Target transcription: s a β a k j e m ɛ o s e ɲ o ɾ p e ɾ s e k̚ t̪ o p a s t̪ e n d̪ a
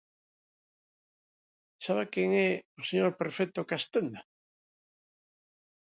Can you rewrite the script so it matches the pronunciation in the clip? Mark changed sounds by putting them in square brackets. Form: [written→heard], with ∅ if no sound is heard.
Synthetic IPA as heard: s a β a k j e [m→ŋ] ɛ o s e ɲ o ɾ p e ɾ [s→f] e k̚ t̪ o [p→k] a s t̪ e n d̪ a